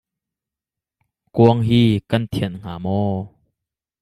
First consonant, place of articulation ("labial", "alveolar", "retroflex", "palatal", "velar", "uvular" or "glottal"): velar